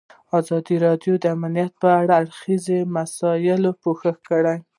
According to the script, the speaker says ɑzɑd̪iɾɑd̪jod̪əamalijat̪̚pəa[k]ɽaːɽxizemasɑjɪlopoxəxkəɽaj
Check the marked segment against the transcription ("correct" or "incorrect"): incorrect